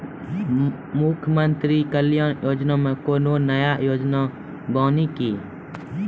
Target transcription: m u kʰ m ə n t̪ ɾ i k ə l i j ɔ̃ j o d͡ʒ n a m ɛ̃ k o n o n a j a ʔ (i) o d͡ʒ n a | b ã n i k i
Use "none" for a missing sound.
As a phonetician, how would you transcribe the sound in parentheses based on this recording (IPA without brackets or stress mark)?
j